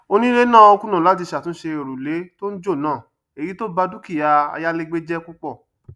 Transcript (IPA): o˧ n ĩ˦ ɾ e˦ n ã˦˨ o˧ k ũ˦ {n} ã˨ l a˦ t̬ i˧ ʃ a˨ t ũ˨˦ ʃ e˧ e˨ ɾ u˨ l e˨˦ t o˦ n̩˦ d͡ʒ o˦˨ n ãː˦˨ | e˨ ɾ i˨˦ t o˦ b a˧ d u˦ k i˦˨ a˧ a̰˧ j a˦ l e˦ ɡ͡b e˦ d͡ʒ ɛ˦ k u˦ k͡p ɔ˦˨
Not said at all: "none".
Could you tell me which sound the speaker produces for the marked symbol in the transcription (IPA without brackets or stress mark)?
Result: n